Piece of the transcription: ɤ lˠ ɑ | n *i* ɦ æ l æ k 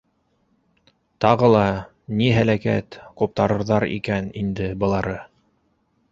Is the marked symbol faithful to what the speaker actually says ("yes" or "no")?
yes